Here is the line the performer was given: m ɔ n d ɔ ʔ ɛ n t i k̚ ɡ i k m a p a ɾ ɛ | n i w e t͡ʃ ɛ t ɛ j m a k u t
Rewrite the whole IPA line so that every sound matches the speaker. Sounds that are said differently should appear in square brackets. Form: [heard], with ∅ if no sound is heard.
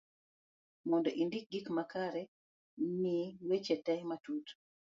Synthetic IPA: m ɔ n d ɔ ʔ [i] n [d] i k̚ ɡ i k m a [k] a ɾ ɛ | n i w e t͡ʃ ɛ t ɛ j m a [t] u t